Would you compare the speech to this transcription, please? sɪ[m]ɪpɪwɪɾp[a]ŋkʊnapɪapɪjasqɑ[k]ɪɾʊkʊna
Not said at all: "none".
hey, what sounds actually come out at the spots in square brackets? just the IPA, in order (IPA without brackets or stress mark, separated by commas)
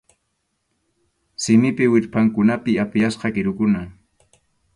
m, a, k